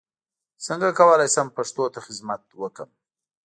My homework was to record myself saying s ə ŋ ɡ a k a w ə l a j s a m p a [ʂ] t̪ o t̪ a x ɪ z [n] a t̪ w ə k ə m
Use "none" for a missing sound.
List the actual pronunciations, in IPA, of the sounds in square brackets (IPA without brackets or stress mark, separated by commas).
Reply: ʂ, m